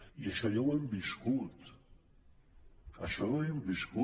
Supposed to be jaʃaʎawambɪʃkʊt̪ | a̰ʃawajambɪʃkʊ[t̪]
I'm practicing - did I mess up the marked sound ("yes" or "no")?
yes